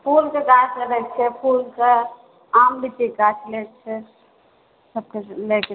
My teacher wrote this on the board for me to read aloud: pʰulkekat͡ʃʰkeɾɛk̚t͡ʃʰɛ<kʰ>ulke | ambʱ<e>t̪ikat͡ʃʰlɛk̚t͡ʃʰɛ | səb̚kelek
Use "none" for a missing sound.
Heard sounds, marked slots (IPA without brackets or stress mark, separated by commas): pʰ, i